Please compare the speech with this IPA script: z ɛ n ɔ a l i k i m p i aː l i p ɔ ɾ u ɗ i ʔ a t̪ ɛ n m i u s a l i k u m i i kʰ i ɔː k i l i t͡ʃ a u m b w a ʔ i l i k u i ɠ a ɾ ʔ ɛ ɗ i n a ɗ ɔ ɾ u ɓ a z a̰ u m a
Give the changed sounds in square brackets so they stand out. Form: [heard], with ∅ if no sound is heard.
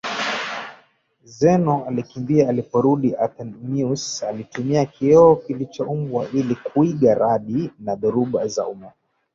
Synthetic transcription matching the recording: z ɛ n ɔ a l i k i m [b] i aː l i p ɔ ɾ u ɗ i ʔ a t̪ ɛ n m i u s a l i [t] u m i [a] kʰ i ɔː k i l i t͡ʃ a u m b w a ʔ i l i k u i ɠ a ɾ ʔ [a] ɗ i n a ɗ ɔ ɾ u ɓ a z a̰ u m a